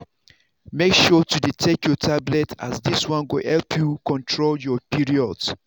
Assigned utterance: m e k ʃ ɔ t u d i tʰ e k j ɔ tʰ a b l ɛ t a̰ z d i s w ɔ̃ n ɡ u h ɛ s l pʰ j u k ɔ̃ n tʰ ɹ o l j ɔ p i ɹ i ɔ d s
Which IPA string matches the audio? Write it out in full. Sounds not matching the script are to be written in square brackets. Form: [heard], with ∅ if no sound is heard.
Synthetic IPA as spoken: m e k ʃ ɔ t u d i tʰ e k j ɔ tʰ a b l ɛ t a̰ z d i s w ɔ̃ n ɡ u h ɛ [∅] l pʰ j u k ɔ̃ n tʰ ɹ o l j ɔ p i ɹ i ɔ d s